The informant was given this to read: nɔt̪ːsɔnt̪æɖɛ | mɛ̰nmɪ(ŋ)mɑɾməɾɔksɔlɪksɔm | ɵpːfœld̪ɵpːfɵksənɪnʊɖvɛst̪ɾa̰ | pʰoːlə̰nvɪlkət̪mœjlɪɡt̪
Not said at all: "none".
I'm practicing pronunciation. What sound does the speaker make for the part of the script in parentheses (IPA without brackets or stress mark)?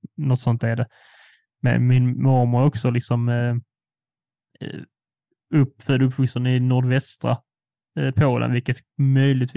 n